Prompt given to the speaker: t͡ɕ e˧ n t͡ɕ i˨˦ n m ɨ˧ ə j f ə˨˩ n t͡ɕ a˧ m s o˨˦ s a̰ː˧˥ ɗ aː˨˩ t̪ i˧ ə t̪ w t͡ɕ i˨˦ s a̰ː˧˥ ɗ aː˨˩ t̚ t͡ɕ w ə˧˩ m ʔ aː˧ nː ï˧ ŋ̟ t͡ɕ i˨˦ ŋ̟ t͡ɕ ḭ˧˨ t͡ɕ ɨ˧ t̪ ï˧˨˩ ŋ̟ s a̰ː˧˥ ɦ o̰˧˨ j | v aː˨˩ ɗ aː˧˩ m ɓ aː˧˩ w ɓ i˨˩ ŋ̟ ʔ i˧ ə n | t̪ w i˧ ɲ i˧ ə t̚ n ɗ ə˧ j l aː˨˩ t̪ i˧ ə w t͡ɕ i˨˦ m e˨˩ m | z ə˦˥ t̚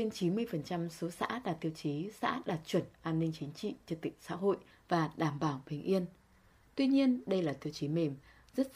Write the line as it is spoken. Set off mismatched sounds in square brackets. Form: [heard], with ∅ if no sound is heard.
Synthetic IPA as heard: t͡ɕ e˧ n t͡ɕ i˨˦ n m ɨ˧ ə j f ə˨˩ n t͡ɕ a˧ m s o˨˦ s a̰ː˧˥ ɗ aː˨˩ t̪ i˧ ə [∅] w t͡ɕ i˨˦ s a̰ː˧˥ ɗ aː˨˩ t̚ t͡ɕ w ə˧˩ [n] ʔ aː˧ nː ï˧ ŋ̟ t͡ɕ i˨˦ ŋ̟ t͡ɕ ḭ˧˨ t͡ɕ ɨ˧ t̪ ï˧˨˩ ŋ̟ s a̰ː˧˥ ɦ o̰˧˨ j | v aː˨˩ ɗ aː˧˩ m ɓ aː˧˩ w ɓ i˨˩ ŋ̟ ʔ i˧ ə n | t̪ w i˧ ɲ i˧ ə [∅] n ɗ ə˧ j l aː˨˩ t̪ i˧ ə w t͡ɕ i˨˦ m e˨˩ m | z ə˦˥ t̚